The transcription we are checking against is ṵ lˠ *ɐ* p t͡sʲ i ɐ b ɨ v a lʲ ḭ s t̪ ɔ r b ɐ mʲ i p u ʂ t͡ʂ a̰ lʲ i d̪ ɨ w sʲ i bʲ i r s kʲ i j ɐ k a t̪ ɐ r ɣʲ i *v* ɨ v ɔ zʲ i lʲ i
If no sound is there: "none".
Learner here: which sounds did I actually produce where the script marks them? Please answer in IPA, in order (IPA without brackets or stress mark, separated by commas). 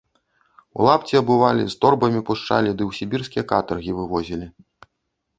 a, v